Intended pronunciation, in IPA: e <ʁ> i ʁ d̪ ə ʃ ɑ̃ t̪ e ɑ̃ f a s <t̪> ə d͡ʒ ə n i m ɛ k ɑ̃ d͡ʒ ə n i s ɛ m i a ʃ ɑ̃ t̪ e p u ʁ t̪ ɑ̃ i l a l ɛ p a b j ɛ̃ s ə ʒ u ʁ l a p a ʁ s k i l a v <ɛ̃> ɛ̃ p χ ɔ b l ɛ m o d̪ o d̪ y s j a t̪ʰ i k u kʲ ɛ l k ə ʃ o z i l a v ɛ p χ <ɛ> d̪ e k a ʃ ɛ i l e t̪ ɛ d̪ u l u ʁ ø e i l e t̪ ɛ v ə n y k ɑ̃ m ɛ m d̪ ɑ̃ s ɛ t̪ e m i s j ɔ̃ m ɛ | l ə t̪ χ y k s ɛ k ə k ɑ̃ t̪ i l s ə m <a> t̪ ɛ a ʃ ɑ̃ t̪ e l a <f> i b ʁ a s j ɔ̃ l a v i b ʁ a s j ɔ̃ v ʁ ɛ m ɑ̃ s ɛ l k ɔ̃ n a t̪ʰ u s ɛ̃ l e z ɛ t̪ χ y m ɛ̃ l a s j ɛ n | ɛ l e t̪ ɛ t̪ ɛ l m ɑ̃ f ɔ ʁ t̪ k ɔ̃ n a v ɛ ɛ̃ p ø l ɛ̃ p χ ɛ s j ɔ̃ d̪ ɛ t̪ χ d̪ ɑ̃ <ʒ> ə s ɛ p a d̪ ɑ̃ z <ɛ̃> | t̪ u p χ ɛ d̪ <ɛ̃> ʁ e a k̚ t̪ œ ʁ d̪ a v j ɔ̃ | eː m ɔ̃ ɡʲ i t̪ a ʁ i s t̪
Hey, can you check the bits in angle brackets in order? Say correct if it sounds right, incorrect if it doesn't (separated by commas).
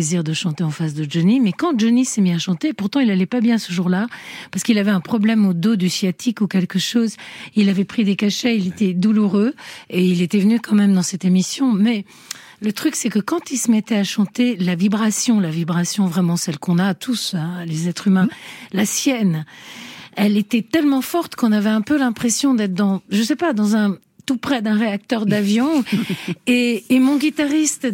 incorrect, incorrect, incorrect, incorrect, incorrect, incorrect, correct, correct, correct